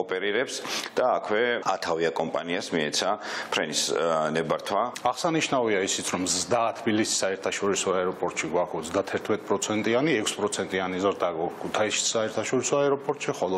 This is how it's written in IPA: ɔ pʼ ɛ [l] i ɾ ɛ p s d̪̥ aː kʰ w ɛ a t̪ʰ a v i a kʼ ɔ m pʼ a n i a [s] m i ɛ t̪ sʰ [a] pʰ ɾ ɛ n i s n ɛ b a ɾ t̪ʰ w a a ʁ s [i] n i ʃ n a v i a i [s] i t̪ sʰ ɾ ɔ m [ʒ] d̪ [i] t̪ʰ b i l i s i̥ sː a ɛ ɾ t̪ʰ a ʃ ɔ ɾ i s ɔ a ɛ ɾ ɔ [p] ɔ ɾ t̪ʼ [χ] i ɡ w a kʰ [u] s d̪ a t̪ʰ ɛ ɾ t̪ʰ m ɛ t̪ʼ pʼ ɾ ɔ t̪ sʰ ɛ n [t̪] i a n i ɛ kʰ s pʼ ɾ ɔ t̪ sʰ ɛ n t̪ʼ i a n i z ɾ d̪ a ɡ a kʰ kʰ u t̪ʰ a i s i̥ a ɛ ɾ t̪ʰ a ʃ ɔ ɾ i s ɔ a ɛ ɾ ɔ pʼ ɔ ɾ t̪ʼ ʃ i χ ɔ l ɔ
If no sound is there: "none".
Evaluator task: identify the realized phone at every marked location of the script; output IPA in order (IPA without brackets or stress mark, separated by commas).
ɾ, s, a, a, s, z, a, pʼ, ʃ, ɔ, t̪ʼ